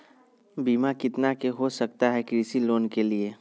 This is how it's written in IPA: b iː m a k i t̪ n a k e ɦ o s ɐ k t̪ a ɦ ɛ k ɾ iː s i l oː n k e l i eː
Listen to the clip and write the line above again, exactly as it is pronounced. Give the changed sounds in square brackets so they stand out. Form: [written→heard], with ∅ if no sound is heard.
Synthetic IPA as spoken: b iː m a k [i→ɪ] t̪ n a k e ɦ o s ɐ k t̪ a ɦ ɛ k ɾ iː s i l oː n k e l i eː